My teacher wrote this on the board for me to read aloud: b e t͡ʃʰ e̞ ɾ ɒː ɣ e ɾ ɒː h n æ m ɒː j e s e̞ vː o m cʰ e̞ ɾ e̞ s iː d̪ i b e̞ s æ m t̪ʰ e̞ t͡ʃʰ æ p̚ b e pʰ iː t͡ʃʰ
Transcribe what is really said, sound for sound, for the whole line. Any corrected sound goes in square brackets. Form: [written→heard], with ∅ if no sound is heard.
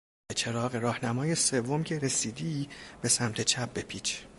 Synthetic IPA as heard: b e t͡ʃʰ e̞ ɾ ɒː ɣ e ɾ ɒː h n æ m ɒː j e s e̞ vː o m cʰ e̞ ɾ e̞ s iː d̪ i b e̞ s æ m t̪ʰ e̞ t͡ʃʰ æ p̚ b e pʰ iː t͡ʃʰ